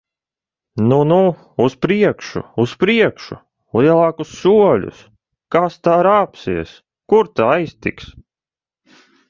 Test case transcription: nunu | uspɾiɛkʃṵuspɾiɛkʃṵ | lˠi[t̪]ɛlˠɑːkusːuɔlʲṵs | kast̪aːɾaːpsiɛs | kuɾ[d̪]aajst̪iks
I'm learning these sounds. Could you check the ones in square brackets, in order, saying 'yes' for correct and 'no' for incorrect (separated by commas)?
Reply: no, no